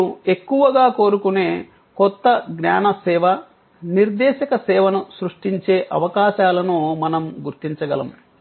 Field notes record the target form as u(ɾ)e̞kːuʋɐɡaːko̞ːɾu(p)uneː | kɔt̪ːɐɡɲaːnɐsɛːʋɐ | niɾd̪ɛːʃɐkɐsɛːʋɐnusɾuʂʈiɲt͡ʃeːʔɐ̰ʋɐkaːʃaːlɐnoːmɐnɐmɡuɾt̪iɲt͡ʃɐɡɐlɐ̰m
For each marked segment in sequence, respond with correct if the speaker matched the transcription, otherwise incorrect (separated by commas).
incorrect, incorrect